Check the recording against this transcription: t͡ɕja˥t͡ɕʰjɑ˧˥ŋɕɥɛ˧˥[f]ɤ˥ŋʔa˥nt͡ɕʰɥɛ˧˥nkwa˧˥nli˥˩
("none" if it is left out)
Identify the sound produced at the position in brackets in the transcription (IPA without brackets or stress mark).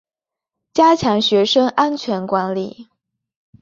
ʂ